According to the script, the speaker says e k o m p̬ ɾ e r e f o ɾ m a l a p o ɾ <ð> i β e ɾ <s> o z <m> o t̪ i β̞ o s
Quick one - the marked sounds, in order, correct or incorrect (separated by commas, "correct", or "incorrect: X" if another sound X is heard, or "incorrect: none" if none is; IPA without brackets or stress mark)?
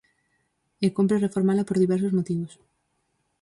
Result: correct, correct, correct